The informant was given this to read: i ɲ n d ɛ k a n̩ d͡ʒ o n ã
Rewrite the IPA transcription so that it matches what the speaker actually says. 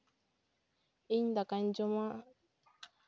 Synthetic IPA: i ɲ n d a k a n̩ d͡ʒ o m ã